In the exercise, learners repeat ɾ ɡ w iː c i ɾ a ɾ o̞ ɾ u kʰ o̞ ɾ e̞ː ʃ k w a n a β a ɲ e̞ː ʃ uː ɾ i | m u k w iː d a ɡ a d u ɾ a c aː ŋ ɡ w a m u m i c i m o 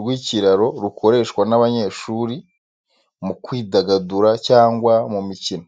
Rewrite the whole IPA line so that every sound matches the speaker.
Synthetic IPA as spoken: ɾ ɡ w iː c i ɾ a ɾ o̞ ɾ u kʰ o̞ ɾ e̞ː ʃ k w a n a β a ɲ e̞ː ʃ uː ɾ i | m u k w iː d a ɡ a d u ɾ a c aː ŋ ɡ w a m u m i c i n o